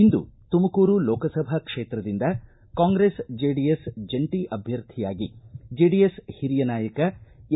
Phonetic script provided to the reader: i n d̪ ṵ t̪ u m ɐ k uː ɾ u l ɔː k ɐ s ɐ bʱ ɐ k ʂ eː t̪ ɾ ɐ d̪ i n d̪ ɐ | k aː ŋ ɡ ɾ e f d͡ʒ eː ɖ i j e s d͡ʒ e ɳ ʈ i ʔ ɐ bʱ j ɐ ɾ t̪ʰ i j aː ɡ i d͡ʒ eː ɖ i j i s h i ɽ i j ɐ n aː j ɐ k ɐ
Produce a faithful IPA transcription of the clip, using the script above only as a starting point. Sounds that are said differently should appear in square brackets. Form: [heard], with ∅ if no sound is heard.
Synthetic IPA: i n d̪ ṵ t̪ u m ɐ k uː ɾ u l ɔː k ɐ s ɐ bʱ ɐ k ʂ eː t̪ ɾ ɐ d̪ i n d̪ ɐ | k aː ŋ ɡ ɾ e [s] d͡ʒ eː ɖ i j e s d͡ʒ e ɳ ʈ i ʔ ɐ bʱ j ɐ ɾ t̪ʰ i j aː ɡ i d͡ʒ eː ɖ i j [e] s h i [ɾ] i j ɐ n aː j ɐ k ɐ